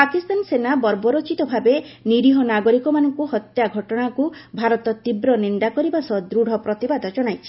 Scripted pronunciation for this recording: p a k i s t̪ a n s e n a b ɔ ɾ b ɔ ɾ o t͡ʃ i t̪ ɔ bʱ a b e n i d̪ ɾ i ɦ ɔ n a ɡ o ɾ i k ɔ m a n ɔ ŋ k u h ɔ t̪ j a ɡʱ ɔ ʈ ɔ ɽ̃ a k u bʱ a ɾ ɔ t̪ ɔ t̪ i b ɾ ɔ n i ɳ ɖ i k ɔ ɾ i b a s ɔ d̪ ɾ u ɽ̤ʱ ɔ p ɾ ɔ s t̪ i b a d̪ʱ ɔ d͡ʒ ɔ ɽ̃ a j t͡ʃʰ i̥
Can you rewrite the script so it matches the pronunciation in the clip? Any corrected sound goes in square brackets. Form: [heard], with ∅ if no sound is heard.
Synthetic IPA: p a k i s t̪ a n s e n a b ɔ ɾ b ɔ ɾ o t͡ʃ i t̪ ɔ bʱ a b e n i [∅] ɾ i ɦ ɔ n a ɡ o ɾ i k ɔ m a n ɔ ŋ k u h ɔ t̪ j a ɡʱ ɔ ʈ ɔ ɽ̃ a k u bʱ a ɾ ɔ t̪ ɔ t̪ i b ɾ ɔ n i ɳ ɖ [a] k ɔ ɾ i b a s ɔ d̪ ɾ u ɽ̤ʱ ɔ p ɾ ɔ [∅] t̪ i b a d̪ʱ ɔ d͡ʒ ɔ ɽ̃ a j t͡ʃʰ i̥